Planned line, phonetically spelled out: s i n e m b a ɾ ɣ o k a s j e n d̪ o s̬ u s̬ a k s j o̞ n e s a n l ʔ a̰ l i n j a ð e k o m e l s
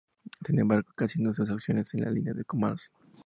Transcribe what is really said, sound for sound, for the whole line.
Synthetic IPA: s i n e m b a ɾ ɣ o k a s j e n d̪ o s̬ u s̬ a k s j o̞ n e s e n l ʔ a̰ l i n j a ð e k o m a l s